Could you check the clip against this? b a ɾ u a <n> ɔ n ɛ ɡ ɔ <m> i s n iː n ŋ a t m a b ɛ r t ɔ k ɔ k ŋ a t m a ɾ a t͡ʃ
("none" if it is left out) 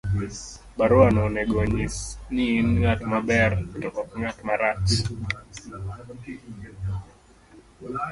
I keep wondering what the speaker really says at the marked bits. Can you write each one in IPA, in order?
n, ɲ

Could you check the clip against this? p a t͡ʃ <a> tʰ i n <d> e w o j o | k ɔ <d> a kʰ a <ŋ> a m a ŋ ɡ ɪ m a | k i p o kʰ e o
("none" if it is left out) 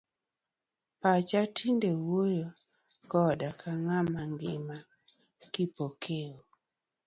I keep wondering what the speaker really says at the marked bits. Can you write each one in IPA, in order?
a, d, d, ŋ

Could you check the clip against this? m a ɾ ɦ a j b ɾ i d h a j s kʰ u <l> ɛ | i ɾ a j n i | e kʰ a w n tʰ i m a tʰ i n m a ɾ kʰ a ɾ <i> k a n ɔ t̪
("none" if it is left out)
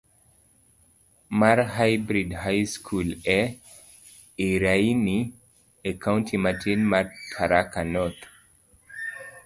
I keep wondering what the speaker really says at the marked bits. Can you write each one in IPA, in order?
l, a

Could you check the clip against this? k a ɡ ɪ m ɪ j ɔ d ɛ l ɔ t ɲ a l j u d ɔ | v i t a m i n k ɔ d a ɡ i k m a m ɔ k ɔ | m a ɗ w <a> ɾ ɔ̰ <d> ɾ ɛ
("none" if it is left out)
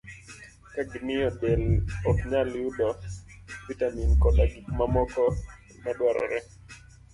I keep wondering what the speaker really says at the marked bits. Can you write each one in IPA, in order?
a, none

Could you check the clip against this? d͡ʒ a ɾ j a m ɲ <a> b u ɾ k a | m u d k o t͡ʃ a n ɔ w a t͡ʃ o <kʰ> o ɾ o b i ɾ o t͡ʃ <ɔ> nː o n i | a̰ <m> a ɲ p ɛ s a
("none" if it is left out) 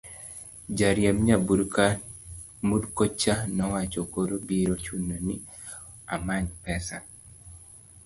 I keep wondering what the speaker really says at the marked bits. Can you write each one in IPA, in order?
a, k, u, m

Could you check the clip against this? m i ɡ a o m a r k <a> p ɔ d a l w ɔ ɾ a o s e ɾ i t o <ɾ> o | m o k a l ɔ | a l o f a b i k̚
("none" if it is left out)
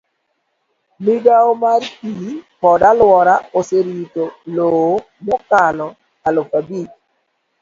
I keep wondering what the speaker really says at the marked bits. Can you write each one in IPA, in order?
i, l

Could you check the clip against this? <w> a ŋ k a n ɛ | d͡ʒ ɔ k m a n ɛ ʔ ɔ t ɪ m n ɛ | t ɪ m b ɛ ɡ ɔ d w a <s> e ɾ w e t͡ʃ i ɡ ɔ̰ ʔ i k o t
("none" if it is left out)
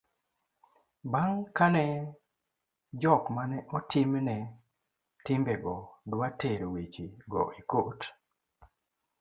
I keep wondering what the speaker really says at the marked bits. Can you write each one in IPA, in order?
b, t

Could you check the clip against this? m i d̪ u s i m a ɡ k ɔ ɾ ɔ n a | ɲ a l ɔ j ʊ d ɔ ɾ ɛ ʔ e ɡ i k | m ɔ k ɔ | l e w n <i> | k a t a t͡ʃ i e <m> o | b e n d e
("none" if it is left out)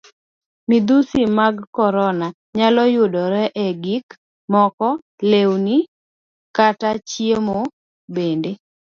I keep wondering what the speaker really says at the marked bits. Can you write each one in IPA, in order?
i, m

